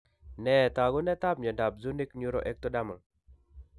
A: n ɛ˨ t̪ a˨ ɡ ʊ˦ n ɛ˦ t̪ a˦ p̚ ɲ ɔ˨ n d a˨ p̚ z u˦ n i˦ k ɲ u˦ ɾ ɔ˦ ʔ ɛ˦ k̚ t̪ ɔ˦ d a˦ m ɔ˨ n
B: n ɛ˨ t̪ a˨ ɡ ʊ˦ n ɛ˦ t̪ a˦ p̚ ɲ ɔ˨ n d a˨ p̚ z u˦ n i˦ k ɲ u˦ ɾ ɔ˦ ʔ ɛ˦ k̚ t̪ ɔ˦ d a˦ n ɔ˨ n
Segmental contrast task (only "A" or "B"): A